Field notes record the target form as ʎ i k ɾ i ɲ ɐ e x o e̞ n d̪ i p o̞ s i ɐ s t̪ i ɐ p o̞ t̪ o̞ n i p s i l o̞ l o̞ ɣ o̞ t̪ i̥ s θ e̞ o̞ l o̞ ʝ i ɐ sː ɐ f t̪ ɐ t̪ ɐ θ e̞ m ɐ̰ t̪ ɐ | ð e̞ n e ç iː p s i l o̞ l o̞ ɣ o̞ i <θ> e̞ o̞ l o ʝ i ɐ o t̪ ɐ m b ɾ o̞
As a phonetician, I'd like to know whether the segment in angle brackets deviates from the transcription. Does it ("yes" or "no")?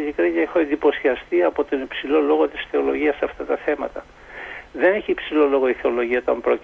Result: no